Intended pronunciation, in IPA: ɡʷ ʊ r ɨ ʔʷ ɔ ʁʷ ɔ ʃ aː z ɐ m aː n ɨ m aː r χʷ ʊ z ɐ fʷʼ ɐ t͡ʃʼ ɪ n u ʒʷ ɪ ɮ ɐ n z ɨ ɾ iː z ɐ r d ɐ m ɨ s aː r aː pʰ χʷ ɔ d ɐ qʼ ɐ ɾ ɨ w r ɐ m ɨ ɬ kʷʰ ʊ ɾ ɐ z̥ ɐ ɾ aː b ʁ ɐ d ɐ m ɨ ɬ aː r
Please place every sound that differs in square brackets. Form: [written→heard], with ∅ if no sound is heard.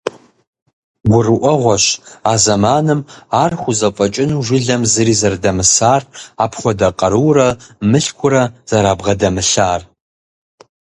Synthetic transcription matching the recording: ɡʷ ʊ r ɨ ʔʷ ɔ ʁʷ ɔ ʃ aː z ɐ m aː n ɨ m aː r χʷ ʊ z ɐ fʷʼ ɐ t͡ʃʼ ɪ n u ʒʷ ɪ ɮ ɐ [n→m] z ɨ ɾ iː z ɐ r d ɐ m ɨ s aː r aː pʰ χʷ ɔ d ɐ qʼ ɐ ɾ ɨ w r ɐ m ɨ ɬ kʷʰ ʊ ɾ ɐ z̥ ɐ ɾ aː b ʁ ɐ d ɐ m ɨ ɬ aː r